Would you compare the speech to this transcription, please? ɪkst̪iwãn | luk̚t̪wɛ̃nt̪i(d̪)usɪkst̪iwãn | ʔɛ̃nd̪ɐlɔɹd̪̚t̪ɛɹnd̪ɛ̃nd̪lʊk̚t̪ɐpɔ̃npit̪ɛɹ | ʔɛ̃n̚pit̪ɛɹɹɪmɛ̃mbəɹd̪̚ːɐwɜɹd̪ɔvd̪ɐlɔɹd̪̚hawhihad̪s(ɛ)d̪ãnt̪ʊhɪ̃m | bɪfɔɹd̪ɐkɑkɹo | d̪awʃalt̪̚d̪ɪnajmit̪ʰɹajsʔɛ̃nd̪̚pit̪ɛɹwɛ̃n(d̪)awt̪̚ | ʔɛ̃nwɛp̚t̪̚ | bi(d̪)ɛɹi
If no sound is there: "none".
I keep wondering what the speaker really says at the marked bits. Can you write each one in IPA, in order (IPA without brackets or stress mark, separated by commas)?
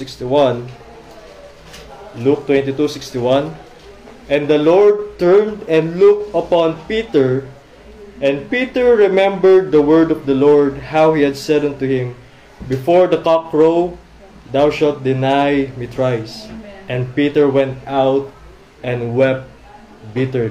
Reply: t̪, ɛ, t̪, t̪